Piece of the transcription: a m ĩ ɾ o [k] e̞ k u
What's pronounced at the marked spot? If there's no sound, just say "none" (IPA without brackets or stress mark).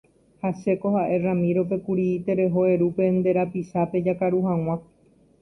p